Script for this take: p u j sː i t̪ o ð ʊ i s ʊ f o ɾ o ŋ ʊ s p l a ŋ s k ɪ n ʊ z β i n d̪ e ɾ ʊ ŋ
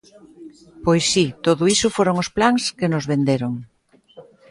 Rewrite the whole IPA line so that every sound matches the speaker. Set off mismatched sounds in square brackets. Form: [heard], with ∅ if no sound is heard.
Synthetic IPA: p [o] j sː i t̪ o ð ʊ i s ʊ f o ɾ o ŋ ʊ s p l a ŋ s k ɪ n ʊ z β [e] n d̪ e ɾ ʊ ŋ